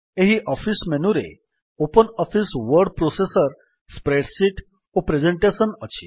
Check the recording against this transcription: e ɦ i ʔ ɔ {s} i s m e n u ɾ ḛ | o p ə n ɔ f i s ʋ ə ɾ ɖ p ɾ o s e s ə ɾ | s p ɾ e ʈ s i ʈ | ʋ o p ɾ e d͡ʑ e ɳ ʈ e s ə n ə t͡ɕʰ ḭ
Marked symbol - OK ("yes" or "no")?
no